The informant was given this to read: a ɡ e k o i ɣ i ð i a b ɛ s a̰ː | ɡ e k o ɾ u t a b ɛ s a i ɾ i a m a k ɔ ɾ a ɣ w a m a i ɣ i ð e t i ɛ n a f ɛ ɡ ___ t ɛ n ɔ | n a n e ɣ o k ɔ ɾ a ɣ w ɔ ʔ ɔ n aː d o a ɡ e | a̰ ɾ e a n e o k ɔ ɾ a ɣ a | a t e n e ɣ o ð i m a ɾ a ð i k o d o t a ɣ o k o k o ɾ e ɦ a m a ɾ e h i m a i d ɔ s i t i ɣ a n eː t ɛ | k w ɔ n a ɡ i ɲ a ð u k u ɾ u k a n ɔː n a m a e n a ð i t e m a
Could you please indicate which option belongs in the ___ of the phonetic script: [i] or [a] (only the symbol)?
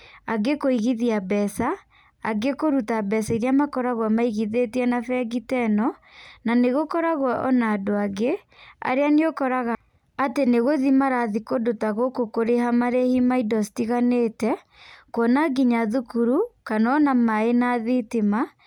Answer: i